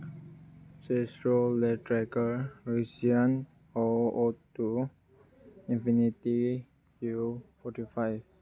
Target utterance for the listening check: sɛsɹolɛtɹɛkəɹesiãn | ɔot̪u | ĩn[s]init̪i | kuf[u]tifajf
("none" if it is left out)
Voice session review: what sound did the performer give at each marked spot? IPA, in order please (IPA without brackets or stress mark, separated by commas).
f, ɔ